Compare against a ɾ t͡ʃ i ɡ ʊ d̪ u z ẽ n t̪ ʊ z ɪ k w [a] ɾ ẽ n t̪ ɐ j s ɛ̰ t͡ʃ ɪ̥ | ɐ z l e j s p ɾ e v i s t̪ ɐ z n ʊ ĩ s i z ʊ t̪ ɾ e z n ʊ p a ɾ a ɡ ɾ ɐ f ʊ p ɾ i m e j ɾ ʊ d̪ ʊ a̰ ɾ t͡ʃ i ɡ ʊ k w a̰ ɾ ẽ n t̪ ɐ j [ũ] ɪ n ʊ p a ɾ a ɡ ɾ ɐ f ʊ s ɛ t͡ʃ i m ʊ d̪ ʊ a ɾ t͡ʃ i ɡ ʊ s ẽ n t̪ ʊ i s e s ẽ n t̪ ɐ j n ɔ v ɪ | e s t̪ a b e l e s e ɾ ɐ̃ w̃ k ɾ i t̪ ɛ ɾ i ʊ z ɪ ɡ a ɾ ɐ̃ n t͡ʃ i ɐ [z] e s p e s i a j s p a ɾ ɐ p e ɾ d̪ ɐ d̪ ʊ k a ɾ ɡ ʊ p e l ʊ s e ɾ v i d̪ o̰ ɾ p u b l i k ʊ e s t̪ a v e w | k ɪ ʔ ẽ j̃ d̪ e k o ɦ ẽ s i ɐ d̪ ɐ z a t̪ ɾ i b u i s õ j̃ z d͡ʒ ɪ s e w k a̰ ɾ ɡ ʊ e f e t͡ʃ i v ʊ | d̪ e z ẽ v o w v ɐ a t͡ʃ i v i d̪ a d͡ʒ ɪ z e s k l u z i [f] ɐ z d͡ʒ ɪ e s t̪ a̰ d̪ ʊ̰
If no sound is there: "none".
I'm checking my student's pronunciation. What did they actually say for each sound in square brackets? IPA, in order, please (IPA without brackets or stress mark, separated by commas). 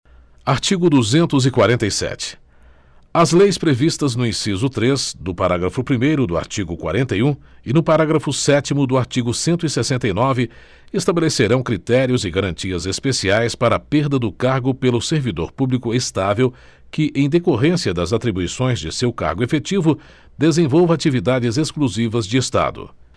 a, ũ, z, v